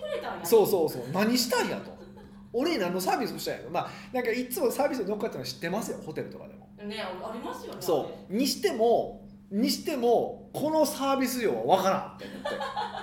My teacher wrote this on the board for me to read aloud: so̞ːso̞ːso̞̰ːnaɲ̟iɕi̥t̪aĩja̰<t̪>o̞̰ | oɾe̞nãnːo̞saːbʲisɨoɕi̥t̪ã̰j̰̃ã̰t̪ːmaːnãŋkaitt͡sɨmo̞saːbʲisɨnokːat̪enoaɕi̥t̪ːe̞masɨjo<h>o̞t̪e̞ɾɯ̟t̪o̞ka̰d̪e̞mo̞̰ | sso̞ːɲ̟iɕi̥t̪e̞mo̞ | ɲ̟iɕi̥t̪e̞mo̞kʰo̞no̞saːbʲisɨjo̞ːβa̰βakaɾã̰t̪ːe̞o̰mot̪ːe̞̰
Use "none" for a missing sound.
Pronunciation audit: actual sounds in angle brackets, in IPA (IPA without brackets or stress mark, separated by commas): t̪, h